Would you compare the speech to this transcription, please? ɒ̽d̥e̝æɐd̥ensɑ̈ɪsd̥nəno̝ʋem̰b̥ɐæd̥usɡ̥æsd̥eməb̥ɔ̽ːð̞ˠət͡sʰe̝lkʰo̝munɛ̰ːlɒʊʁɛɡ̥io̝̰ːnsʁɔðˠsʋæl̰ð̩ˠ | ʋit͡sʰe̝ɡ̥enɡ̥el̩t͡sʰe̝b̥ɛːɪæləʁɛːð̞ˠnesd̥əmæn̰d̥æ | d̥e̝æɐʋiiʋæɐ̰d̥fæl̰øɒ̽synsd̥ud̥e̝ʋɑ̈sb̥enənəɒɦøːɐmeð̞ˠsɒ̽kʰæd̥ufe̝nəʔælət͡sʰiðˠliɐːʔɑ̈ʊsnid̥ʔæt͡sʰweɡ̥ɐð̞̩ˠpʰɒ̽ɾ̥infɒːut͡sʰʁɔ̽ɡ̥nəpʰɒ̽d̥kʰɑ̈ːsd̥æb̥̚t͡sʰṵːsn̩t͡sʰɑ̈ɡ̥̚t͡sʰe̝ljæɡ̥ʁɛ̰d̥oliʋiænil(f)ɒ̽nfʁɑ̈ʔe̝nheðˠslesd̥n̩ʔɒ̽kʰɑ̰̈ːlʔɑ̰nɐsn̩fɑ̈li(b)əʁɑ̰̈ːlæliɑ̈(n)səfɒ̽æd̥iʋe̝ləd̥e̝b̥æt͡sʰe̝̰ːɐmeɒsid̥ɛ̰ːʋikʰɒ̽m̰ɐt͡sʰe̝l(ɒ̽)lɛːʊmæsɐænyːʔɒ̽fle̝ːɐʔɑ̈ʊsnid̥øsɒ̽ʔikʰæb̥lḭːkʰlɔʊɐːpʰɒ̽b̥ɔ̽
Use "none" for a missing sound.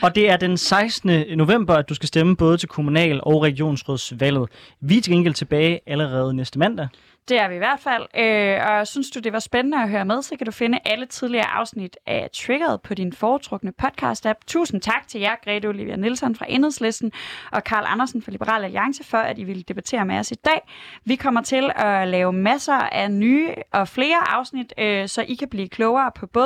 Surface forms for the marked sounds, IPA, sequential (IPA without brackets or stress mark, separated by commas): s, b, ŋ, ɒ̽